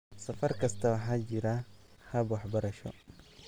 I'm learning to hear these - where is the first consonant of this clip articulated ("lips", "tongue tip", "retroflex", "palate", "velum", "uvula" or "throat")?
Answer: tongue tip